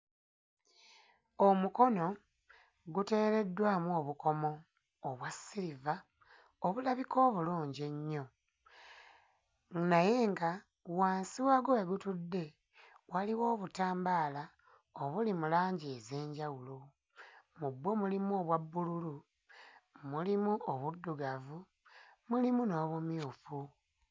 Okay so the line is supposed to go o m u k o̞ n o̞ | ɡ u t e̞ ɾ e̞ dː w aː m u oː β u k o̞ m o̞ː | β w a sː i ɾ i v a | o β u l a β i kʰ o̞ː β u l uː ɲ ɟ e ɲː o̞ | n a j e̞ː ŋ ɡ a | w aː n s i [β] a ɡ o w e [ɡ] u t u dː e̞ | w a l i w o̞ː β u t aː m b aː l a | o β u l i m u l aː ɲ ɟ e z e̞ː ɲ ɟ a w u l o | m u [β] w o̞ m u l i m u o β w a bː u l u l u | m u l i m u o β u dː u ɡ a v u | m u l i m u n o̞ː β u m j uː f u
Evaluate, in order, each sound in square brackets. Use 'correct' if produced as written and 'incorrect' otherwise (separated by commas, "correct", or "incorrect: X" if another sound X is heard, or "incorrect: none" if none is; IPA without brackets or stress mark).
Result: incorrect: w, correct, incorrect: b